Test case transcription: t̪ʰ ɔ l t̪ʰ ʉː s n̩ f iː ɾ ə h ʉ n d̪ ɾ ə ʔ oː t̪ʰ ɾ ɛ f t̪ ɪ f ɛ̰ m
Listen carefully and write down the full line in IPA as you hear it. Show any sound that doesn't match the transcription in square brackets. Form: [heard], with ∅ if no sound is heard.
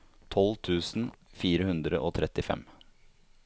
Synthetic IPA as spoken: t̪ʰ ɔ l t̪ʰ ʉː s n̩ f iː ɾ ə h ʉ n d̪ ɾ ə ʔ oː t̪ʰ ɾ ɛ [∅] t̪ ɪ f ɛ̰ m